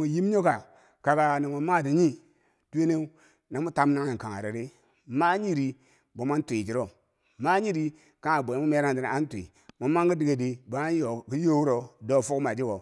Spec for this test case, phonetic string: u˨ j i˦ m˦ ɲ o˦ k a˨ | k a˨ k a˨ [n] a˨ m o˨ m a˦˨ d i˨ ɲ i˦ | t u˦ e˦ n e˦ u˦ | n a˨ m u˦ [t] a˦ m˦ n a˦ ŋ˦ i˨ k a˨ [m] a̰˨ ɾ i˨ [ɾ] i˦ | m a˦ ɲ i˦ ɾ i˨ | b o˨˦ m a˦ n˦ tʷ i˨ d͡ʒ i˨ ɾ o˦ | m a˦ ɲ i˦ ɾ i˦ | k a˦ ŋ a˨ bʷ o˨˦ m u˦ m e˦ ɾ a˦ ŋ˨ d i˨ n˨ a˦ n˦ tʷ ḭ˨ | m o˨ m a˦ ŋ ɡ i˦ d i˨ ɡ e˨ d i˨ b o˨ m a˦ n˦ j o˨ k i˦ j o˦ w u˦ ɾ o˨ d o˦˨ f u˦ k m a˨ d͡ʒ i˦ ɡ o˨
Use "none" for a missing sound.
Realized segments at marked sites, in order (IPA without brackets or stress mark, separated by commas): n, t, ŋ, ɾ